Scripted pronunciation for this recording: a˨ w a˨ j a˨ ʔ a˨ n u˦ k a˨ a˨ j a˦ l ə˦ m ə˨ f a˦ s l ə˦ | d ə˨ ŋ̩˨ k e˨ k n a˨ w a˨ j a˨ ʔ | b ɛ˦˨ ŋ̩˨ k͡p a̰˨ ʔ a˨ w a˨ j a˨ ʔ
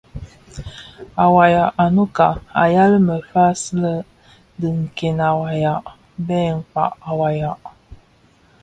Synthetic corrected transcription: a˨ w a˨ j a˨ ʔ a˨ n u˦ k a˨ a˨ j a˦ l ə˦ m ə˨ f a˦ s l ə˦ | d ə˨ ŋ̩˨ k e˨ n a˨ w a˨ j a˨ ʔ | b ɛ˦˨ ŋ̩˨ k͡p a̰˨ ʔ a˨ w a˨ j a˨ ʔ